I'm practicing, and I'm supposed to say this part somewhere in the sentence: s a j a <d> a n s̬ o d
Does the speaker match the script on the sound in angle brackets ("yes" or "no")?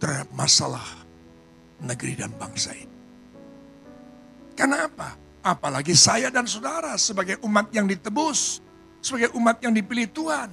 yes